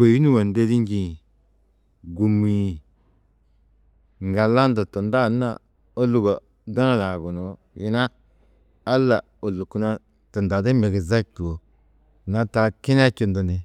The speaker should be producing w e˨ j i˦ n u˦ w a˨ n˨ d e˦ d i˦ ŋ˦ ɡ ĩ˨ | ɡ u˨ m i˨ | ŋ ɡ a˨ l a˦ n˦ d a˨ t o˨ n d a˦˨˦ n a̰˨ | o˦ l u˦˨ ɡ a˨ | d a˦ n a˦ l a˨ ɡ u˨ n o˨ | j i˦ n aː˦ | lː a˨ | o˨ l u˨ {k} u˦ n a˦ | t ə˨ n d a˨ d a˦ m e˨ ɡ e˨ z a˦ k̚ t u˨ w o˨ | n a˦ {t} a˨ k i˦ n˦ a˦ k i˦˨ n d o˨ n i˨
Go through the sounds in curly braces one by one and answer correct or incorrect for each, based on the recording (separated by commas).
correct, correct